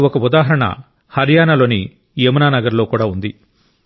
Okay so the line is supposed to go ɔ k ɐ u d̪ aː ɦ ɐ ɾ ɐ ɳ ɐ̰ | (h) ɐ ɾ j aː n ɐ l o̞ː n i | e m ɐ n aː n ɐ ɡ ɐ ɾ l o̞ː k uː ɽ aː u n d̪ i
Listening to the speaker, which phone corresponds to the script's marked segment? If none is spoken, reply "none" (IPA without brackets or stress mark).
h